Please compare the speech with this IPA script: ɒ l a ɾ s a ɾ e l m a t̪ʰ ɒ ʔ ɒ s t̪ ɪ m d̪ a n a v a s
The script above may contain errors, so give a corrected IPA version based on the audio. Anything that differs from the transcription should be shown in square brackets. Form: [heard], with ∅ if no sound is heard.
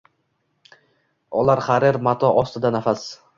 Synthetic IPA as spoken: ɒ l a ɾ [χ] a ɾ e [ɾ] m a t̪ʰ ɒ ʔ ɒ s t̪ ɪ [∅] d̪ a n a [f] a s